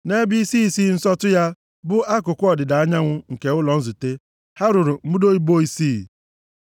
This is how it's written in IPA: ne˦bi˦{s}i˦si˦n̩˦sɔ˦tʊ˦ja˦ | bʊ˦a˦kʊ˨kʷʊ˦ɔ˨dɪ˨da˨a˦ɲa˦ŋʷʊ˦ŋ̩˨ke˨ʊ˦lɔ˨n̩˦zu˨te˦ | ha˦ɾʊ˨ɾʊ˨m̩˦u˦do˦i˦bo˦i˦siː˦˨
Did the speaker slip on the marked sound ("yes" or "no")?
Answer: no